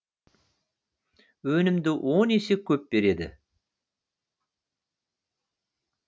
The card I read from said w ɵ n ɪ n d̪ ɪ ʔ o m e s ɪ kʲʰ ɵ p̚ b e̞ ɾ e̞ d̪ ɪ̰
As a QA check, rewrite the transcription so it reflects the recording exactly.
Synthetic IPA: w ɵ n ɪ m d̪ ɪ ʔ o n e s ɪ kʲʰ ɵ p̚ b e̞ ɾ e̞ d̪ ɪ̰